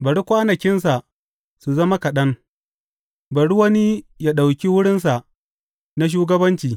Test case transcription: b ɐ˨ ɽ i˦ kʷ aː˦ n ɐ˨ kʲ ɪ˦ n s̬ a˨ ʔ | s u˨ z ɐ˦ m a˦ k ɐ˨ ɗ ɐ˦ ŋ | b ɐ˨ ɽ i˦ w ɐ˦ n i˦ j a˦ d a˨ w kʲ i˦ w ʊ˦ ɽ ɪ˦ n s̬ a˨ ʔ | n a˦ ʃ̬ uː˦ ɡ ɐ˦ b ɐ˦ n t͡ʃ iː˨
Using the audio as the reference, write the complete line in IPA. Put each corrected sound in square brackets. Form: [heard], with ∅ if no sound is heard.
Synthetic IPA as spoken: b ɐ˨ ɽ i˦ kʷ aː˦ n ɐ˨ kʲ ɪ˦ n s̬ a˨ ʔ | s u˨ z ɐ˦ m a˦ k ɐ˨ ɗ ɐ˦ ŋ | b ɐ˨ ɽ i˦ w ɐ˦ n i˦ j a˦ [ɗ] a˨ w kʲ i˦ w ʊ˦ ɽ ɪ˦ n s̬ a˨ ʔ | n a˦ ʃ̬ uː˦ ɡ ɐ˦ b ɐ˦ n t͡ʃ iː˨